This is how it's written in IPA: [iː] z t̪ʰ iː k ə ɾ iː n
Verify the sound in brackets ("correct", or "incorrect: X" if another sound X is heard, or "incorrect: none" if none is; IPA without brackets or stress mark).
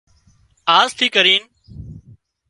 incorrect: aː